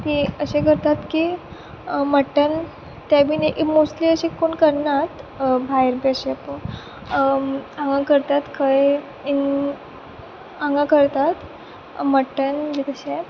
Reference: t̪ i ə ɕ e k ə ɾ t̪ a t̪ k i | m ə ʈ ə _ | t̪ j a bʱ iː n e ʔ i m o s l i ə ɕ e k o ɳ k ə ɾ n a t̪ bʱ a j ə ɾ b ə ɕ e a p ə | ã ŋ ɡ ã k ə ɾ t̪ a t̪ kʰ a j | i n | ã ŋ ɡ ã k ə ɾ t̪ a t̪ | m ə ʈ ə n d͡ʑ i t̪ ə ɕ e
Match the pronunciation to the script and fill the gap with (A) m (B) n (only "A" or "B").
B